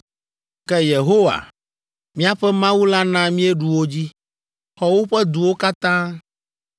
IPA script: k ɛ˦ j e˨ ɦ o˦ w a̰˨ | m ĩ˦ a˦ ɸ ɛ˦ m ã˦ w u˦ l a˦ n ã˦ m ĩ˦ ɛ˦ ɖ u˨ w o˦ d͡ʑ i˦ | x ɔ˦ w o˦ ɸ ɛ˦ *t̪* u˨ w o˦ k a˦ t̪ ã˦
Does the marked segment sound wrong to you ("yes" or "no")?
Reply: yes